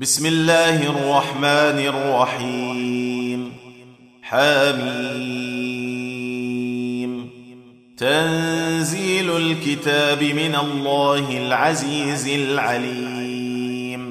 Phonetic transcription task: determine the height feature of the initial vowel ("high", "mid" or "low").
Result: high